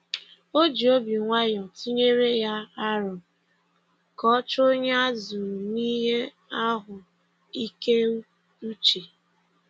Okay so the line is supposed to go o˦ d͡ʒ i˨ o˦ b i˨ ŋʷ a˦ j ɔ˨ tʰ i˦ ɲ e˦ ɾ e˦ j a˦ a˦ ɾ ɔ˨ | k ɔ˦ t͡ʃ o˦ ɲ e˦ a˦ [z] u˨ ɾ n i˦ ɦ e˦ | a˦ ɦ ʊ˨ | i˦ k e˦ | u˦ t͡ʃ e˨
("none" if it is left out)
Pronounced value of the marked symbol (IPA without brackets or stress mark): z